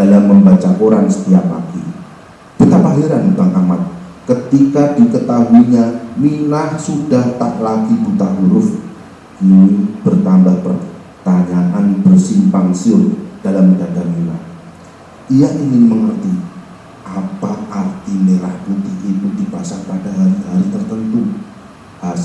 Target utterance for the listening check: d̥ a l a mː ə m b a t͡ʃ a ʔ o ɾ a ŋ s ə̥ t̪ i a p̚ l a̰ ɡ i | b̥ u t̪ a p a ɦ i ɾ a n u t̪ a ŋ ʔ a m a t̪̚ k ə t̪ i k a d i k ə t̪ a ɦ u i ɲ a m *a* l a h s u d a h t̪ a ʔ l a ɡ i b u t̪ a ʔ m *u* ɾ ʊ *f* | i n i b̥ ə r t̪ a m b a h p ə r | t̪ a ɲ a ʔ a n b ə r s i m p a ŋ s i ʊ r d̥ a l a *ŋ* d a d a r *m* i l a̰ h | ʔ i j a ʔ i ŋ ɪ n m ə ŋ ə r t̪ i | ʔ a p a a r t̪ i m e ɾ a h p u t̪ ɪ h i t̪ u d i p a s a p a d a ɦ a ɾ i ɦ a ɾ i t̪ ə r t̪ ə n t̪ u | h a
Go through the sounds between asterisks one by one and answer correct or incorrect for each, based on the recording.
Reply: incorrect: i, correct, correct, incorrect: m, correct

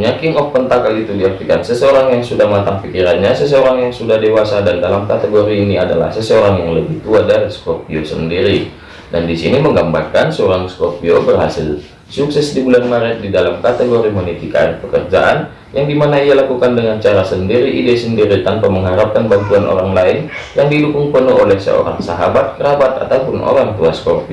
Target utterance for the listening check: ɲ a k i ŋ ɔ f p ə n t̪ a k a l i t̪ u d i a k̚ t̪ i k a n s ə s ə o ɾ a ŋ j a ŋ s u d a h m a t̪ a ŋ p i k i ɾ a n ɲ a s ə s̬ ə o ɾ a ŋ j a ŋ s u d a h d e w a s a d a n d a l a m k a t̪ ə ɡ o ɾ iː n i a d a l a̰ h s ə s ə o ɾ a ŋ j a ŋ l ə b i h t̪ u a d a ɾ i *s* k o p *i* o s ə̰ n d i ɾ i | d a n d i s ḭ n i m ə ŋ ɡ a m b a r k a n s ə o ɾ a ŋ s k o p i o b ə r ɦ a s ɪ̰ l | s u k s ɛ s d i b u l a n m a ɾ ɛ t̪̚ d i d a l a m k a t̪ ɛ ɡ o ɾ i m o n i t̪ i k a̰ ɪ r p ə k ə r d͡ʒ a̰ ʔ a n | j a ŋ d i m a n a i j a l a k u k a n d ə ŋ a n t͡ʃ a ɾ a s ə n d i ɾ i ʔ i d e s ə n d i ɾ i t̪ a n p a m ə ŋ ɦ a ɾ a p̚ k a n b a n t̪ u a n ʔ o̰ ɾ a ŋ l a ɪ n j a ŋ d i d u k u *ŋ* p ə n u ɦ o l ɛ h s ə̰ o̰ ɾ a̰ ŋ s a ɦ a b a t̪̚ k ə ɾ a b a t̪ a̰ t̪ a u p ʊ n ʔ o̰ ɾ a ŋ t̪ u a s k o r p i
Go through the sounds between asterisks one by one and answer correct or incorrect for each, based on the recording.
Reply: correct, correct, correct

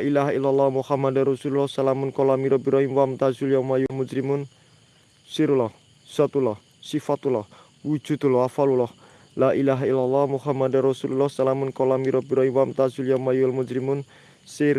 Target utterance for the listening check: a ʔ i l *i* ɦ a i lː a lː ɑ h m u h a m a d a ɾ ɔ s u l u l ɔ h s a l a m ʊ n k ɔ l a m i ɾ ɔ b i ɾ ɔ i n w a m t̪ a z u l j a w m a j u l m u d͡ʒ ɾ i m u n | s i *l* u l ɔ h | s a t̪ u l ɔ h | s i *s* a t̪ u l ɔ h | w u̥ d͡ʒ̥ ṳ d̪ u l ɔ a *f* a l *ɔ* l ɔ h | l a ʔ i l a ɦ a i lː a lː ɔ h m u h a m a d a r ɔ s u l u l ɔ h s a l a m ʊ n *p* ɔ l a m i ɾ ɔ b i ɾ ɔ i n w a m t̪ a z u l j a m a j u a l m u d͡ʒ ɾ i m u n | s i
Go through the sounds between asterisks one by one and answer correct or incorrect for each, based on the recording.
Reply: incorrect: a, incorrect: ɾ, incorrect: f, correct, incorrect: u, incorrect: k

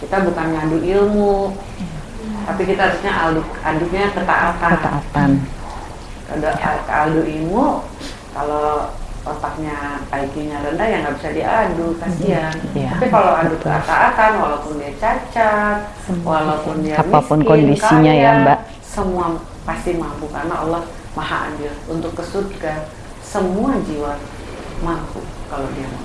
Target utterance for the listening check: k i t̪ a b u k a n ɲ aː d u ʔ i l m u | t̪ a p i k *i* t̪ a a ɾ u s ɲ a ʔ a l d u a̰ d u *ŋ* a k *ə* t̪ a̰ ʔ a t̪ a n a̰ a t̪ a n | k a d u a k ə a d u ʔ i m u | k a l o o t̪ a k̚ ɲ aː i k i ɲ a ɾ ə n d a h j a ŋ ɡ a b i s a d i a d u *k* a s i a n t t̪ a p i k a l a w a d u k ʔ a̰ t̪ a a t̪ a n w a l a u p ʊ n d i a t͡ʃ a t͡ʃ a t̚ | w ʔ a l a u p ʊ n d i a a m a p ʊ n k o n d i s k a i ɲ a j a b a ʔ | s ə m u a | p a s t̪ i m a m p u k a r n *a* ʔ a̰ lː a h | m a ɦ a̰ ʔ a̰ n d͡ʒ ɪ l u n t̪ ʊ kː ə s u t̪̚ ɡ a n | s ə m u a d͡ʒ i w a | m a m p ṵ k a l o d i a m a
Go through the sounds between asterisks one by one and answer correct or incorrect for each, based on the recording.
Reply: correct, incorrect: ɲ, correct, correct, correct

